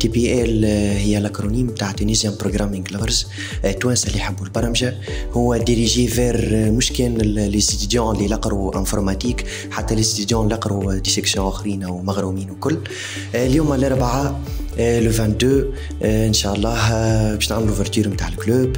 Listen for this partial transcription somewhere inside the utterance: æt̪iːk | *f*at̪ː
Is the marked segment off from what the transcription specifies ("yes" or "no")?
yes